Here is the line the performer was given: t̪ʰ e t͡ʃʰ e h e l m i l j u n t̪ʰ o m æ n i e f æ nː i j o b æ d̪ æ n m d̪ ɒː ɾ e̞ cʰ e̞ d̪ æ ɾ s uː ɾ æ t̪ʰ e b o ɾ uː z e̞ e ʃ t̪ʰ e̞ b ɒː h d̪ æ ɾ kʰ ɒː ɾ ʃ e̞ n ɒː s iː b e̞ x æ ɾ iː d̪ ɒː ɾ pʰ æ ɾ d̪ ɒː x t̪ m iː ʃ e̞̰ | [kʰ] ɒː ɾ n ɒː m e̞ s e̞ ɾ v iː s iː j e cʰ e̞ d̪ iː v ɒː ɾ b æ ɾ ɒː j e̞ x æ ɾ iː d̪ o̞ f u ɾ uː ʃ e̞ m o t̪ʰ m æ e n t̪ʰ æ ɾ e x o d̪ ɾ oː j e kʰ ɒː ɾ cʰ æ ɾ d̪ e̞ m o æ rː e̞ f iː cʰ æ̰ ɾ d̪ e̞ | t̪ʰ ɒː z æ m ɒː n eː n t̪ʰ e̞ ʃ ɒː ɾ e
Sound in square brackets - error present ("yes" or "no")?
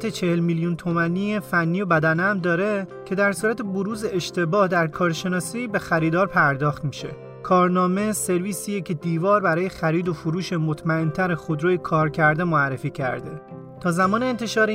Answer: no